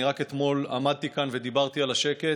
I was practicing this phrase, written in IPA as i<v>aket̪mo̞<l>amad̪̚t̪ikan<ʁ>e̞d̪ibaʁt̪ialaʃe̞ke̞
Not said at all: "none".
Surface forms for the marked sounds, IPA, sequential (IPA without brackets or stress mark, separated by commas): ʁ, l, v